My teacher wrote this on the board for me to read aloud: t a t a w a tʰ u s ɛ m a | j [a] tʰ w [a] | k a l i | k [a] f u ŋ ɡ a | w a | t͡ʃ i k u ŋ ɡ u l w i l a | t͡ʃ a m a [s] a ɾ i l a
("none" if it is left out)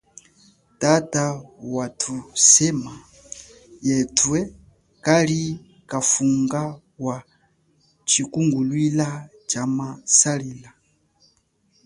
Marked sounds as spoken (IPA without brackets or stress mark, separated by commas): ɛ, ɛ, a, s